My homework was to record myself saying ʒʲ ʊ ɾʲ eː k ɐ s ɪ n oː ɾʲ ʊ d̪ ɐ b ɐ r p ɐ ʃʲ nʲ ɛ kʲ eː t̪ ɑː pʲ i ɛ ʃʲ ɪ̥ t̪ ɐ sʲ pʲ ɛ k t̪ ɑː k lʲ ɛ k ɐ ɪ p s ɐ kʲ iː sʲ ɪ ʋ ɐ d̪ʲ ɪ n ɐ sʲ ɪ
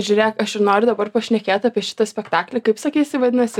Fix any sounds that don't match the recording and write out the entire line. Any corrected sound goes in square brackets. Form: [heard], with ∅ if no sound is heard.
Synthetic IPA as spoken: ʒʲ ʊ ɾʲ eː k ɐ [ʃ] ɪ n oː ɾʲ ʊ d̪ ɐ b ɐ r p ɐ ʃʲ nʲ ɛ kʲ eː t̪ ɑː pʲ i ɛ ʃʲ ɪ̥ t̪ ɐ sʲ pʲ ɛ k t̪ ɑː k lʲ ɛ k ɐ ɪ p s ɐ kʲ iː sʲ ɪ ʋ ɐ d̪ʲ ɪ n ɐ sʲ ɪ